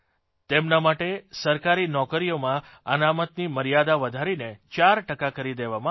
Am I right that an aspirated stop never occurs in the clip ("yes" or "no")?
yes